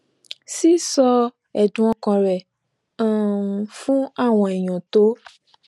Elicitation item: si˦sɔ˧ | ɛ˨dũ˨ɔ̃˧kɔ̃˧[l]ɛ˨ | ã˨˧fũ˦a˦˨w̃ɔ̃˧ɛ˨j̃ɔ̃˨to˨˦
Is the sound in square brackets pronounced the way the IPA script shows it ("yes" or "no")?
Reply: no